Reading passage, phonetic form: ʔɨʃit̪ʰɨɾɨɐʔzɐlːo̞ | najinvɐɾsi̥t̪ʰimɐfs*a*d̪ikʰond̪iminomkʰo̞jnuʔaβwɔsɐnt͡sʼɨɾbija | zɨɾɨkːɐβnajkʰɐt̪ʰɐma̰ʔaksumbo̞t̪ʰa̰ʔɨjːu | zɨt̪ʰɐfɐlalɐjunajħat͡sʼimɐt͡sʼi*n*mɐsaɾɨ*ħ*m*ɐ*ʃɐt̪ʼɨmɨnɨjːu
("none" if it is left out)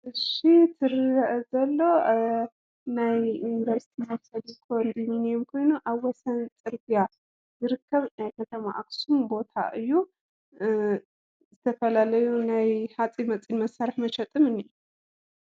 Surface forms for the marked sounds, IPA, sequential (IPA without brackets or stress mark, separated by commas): ɐ, n, ħ, ɐ